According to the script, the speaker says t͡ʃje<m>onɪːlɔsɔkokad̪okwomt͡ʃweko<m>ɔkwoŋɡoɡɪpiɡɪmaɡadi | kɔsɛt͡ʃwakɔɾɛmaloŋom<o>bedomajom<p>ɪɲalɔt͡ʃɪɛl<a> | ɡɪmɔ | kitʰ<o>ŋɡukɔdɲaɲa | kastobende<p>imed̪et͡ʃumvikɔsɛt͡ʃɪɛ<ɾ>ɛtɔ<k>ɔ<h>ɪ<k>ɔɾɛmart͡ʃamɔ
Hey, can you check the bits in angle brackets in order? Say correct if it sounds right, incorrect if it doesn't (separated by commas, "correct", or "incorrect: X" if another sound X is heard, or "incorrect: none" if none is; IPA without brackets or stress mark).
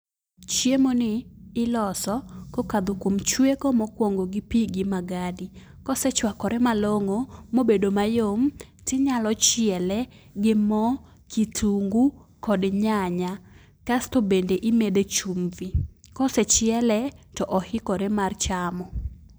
correct, correct, correct, incorrect: t, incorrect: ɛ, incorrect: u, incorrect: ʔ, incorrect: l, incorrect: ʔ, correct, correct